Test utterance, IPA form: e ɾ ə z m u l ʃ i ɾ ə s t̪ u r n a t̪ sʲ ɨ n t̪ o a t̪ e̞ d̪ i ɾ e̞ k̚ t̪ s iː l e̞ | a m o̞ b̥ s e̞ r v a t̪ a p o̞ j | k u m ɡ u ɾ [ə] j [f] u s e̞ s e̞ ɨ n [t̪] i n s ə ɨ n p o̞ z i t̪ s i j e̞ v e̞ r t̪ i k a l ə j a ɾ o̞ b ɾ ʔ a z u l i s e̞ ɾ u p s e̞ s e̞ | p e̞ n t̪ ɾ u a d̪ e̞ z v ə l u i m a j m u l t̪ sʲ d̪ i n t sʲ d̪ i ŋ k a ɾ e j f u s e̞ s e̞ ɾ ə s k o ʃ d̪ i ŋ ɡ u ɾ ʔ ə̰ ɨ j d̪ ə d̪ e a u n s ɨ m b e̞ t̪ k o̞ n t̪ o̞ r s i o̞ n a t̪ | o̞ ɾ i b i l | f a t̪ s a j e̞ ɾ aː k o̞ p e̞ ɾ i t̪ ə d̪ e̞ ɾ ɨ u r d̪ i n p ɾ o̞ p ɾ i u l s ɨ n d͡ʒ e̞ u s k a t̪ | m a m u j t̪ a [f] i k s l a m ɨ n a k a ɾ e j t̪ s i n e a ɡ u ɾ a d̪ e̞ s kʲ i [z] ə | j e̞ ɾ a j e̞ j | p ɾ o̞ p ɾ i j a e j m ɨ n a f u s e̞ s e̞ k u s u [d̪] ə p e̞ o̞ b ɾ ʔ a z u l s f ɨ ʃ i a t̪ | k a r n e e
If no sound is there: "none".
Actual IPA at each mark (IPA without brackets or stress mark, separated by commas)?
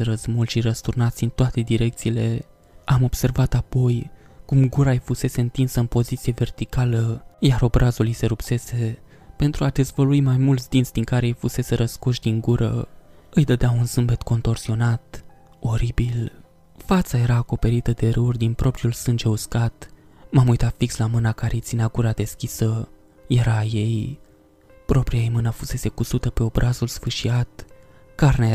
a, f, t̪, f, s, t̪